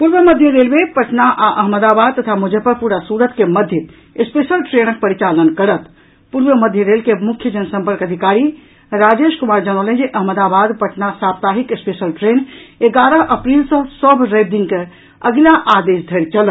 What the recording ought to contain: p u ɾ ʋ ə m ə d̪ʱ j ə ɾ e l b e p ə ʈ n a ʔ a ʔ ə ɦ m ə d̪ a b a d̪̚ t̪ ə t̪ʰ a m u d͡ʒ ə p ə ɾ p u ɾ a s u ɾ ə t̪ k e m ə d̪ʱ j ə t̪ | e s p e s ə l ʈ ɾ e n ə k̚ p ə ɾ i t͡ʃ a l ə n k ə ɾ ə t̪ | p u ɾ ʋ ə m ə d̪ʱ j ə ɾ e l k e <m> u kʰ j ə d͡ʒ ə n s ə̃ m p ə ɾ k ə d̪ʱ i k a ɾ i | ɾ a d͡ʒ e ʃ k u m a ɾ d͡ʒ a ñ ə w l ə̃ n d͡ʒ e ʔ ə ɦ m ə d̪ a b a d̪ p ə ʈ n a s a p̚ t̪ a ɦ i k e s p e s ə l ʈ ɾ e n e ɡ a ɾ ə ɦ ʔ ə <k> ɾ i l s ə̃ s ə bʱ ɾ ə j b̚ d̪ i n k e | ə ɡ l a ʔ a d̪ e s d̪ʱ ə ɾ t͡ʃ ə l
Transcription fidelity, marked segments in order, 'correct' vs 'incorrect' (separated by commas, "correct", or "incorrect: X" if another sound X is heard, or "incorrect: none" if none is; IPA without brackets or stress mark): correct, incorrect: p